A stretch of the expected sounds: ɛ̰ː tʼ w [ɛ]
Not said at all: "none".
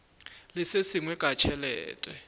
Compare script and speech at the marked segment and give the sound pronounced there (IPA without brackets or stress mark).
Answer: ɛ